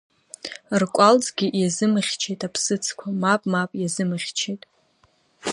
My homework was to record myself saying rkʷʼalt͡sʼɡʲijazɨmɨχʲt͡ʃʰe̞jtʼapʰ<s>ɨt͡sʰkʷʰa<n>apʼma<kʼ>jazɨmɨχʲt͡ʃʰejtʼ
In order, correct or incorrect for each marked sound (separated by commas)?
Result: correct, incorrect, incorrect